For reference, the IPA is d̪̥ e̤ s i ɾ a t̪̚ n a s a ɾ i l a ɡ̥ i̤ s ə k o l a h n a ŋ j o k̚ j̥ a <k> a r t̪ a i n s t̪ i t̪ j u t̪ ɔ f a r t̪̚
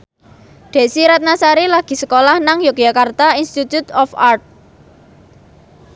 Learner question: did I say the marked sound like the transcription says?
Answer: yes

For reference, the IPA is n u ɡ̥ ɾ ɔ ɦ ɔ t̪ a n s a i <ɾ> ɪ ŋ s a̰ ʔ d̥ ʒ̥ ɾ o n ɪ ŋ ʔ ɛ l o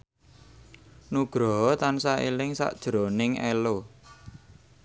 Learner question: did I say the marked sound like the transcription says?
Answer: no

